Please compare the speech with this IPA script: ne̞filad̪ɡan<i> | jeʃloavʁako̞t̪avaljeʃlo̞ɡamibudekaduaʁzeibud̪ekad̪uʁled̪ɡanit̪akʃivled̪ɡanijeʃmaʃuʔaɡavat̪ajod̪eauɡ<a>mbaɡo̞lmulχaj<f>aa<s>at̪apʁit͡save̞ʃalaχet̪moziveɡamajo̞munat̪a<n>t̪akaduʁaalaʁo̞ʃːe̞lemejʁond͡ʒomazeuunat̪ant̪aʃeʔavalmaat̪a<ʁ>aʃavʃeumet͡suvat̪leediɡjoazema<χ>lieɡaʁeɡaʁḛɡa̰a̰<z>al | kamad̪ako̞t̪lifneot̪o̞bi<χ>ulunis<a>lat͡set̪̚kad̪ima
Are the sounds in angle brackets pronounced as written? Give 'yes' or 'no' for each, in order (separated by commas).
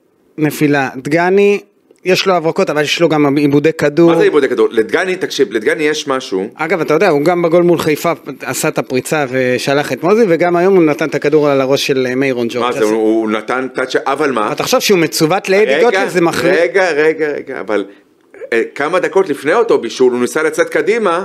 yes, yes, yes, yes, yes, no, yes, no, no, yes